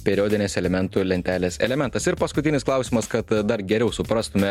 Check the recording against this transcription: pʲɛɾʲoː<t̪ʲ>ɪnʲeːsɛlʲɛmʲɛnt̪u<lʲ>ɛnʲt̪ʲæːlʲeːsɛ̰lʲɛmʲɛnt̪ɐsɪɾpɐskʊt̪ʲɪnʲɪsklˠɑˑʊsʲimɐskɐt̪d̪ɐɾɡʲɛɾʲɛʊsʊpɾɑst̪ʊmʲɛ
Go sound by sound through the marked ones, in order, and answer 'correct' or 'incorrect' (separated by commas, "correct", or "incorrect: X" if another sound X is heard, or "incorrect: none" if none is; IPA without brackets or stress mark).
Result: incorrect: d̪ʲ, correct